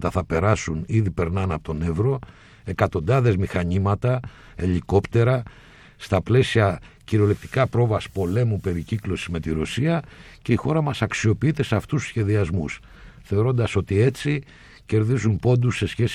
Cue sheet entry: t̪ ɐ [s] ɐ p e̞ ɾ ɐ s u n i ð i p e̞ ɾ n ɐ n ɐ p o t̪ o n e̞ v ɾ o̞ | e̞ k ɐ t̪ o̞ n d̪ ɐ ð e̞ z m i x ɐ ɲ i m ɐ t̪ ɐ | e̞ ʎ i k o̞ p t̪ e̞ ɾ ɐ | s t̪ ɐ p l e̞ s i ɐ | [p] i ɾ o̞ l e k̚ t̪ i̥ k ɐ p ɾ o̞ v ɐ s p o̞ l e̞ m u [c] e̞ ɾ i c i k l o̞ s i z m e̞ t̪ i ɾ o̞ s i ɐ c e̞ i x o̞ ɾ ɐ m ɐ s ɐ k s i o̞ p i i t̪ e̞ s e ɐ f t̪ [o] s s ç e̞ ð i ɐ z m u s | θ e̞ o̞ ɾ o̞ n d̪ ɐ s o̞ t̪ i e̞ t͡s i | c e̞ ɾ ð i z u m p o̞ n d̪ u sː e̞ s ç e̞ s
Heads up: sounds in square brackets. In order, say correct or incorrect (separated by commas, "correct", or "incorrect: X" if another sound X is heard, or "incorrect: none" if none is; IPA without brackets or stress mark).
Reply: incorrect: θ, incorrect: c, incorrect: p, incorrect: u